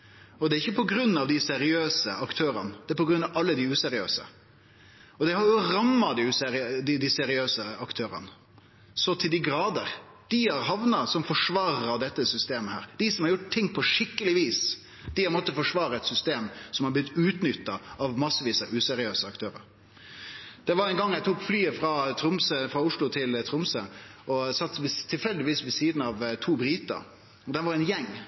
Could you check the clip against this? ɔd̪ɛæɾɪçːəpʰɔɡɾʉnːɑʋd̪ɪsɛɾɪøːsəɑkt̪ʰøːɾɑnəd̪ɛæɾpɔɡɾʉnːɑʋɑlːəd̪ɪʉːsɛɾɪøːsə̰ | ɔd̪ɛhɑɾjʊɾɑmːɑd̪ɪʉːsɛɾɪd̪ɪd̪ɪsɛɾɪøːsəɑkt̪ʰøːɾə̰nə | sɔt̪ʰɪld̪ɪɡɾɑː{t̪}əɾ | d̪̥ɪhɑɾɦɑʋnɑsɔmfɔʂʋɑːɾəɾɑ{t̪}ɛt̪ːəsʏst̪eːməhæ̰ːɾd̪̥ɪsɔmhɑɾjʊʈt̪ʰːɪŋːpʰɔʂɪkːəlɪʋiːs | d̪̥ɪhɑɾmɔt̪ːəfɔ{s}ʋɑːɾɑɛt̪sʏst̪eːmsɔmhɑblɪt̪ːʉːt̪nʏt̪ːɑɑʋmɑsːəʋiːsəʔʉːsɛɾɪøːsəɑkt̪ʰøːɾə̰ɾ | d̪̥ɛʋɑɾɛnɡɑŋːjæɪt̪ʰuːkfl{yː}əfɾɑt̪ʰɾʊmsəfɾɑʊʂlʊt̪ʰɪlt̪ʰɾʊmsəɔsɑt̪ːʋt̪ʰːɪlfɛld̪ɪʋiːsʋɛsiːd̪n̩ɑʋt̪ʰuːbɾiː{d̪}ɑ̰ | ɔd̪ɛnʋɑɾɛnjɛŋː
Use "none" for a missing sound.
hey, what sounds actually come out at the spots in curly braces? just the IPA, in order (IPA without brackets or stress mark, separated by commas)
d̪, d̪, ʂ, yː, t̪